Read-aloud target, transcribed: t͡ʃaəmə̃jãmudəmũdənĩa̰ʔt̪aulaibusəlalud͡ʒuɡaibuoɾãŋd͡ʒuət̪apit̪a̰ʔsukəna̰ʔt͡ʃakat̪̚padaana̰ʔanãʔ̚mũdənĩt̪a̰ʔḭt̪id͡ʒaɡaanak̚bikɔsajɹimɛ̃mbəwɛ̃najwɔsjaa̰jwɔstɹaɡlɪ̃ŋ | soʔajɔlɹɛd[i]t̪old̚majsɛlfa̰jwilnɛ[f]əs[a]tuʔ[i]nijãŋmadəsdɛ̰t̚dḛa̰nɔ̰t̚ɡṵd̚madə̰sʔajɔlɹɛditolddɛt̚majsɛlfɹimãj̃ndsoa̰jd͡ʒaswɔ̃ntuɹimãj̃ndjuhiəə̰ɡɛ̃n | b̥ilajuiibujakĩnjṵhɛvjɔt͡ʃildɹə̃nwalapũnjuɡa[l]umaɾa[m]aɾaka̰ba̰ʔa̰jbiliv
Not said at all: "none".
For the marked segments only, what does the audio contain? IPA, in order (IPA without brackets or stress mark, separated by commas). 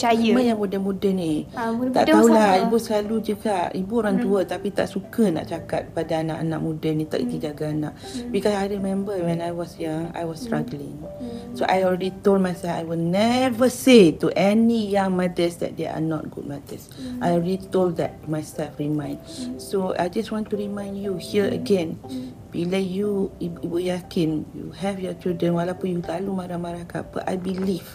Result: i, v, e, ɛ, l, m